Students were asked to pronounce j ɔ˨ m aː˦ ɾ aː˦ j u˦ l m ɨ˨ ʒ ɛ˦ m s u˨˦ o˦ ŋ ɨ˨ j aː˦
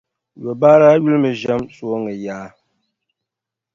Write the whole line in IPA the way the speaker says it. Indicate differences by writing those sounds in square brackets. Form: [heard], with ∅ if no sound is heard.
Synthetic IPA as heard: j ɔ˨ [b] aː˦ ɾ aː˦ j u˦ l m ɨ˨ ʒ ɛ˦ m s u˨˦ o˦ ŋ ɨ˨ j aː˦